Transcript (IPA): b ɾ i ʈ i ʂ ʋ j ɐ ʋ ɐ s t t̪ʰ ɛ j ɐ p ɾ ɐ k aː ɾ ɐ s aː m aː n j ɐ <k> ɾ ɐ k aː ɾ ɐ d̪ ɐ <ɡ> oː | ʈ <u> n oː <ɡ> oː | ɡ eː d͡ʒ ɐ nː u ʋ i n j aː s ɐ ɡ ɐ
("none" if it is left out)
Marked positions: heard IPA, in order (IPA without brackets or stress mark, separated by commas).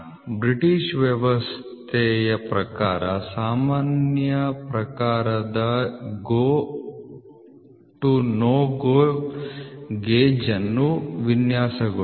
p, ɡ, u, ɡ